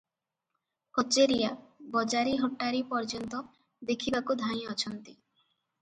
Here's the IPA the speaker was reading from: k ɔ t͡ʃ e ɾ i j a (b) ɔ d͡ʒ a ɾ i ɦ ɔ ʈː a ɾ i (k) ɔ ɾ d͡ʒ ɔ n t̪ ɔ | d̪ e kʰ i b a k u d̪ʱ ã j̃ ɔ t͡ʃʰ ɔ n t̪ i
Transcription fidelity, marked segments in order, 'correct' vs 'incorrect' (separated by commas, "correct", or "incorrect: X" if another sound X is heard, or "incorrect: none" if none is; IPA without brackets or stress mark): correct, incorrect: p